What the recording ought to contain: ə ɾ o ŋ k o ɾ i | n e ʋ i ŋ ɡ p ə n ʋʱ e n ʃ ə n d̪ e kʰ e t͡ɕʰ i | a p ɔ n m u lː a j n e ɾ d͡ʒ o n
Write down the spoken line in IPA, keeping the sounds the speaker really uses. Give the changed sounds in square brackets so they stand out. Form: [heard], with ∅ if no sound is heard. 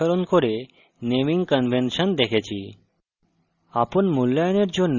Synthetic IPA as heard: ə ɾ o [n] k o ɾ [e] | n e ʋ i ŋ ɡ [k] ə n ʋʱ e n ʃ ə n d̪ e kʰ e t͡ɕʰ i | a p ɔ n m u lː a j n e ɾ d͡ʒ o n